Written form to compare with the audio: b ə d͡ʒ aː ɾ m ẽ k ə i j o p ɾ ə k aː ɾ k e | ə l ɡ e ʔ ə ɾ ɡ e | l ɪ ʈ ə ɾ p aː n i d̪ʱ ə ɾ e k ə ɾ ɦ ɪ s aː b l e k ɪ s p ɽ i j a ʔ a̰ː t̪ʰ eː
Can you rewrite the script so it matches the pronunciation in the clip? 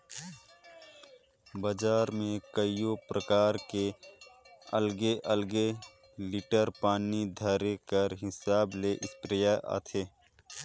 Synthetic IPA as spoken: b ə d͡ʒ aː ɾ m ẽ k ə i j o p ɾ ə k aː ɾ k e | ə l ɡ e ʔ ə l ɡ e | l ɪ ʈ ə ɾ p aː n i d̪ʱ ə ɾ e k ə ɾ ɦ ɪ s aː b l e ʔ ɪ s p ɾ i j a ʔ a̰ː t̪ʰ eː